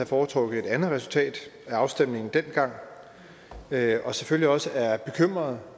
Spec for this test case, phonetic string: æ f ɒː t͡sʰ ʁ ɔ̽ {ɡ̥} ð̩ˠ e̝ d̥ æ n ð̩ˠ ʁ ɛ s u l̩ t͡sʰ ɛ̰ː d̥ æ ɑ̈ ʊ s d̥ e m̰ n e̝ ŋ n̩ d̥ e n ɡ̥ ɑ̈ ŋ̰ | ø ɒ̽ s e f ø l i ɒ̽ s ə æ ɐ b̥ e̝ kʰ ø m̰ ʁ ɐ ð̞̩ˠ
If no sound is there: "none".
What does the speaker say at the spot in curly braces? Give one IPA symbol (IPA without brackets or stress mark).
ɡ̥